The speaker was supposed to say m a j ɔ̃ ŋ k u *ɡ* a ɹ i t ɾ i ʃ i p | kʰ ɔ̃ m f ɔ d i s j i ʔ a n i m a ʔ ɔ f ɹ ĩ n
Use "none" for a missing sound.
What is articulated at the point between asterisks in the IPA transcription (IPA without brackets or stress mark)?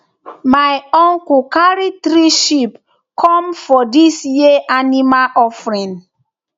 k